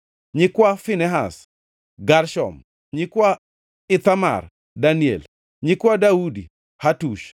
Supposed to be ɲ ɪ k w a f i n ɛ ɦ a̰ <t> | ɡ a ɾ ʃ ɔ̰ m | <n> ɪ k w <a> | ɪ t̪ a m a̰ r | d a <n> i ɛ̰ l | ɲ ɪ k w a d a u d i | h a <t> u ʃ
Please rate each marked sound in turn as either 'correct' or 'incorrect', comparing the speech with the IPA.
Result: incorrect: s, incorrect: ɲ, correct, correct, correct

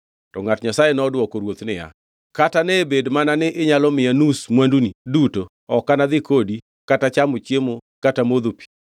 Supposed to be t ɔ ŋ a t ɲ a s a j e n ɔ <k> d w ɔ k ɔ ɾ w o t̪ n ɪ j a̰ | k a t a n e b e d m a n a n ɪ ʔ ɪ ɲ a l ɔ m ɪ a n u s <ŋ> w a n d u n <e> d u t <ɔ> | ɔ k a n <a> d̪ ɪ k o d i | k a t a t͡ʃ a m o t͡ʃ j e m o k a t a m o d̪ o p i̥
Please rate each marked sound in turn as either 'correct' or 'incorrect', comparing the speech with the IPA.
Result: incorrect: none, incorrect: m, incorrect: i, incorrect: o, correct

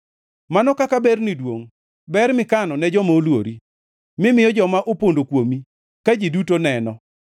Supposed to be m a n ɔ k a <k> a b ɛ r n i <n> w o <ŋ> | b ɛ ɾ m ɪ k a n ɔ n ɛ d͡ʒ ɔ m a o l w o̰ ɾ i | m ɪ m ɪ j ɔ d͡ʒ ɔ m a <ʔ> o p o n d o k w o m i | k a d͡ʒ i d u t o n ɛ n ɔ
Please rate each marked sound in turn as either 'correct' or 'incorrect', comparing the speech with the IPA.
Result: correct, incorrect: d, correct, correct

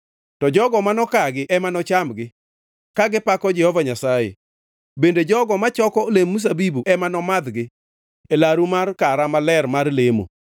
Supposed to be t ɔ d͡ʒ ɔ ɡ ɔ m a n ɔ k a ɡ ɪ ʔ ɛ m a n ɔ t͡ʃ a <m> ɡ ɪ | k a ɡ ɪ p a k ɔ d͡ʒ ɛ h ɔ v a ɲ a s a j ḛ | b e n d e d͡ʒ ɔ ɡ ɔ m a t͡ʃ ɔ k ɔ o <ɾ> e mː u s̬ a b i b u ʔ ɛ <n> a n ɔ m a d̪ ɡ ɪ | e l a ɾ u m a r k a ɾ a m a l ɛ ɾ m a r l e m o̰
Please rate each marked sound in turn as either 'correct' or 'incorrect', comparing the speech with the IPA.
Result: correct, incorrect: l, incorrect: m

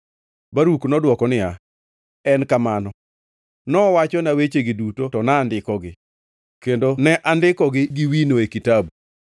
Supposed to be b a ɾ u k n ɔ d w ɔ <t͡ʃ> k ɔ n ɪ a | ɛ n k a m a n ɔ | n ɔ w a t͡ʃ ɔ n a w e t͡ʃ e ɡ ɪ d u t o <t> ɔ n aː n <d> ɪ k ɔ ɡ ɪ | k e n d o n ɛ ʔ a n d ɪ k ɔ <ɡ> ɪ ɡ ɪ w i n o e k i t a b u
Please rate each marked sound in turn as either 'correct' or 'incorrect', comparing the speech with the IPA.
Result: incorrect: none, correct, correct, correct

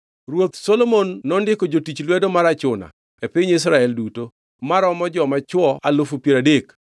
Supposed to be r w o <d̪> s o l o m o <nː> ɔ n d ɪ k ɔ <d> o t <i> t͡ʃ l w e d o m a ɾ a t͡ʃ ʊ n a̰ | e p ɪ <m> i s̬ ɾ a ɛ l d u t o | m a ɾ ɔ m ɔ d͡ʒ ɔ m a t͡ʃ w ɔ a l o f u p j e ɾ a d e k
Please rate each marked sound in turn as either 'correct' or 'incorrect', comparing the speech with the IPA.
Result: incorrect: t̪, correct, incorrect: d͡ʒ, correct, incorrect: ɲ

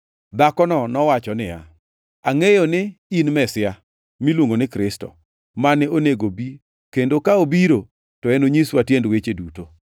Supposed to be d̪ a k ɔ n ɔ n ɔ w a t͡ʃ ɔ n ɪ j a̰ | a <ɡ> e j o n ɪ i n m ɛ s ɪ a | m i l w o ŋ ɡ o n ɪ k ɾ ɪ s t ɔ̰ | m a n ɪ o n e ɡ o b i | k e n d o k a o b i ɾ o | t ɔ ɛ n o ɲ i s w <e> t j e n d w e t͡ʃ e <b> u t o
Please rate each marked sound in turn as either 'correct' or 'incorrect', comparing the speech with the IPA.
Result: incorrect: ŋ, incorrect: a, incorrect: d

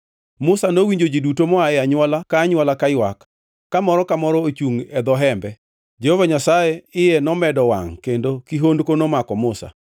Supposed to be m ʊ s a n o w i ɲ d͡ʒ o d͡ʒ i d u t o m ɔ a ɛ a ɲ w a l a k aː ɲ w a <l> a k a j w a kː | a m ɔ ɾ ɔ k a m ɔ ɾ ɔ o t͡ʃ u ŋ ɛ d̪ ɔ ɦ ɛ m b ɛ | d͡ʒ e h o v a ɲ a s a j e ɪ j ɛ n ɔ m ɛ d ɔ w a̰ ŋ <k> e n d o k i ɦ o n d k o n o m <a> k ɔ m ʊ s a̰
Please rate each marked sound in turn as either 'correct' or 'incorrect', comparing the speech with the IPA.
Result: correct, correct, correct

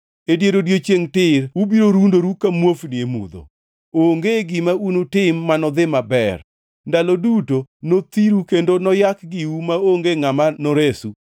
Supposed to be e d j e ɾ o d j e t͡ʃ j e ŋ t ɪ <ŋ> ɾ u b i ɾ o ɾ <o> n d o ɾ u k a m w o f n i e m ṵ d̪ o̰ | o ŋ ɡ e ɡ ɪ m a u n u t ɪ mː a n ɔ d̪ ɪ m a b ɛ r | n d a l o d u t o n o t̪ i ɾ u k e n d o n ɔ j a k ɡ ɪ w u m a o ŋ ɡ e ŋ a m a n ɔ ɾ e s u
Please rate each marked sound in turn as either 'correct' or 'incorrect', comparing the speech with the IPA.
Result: incorrect: none, incorrect: u

